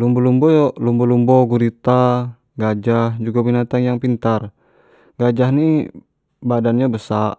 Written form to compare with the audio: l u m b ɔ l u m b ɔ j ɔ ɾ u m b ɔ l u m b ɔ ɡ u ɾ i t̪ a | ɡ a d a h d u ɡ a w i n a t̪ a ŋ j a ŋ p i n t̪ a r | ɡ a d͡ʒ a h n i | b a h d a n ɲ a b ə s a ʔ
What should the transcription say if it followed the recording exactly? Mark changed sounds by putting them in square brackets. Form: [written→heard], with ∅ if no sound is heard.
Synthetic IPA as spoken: l u m b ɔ l u m b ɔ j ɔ [ɾ→l] u m b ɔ l u m b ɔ ɡ u ɾ i t̪ a | ɡ a [d→d͡ʒ] a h [d→d͡ʒ] u ɡ a [w→b] i n a t̪ a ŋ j a ŋ p i n t̪ a r | ɡ a d͡ʒ a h n i | b a [h→∅] d a n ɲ a b ə s a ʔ